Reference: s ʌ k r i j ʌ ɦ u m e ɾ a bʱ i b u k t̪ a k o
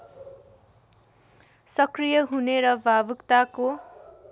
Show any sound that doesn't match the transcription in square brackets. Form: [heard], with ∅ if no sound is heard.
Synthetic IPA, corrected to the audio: s ʌ k r i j ʌ ɦ u [n] e ɾ [ʌ] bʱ [a] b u k t̪ a k o